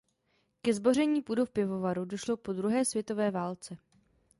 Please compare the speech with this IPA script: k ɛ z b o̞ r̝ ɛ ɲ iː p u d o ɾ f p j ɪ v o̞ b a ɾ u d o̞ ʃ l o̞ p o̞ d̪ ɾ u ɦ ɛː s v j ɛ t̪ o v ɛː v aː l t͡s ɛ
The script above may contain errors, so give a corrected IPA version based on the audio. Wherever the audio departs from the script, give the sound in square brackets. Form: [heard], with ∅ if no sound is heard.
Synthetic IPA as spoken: k ɛ z b o̞ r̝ ɛ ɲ iː p u d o [∅] f p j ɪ v o̞ [v] a ɾ u d o̞ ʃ l o̞ p o̞ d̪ ɾ u ɦ ɛː s v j ɛ t̪ o v ɛː v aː l t͡s ɛ